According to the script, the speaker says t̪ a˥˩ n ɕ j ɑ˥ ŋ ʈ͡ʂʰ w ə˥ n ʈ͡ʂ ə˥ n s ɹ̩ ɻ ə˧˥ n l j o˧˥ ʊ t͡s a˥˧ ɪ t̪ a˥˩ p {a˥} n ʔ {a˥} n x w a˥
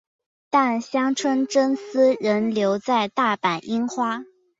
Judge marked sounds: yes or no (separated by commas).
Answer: no, no